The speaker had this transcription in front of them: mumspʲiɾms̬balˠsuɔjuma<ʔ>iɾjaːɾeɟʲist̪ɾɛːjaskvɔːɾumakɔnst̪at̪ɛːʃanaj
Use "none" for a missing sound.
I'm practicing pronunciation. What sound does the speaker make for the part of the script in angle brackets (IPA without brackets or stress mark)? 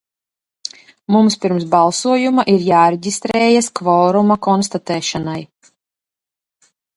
ʔ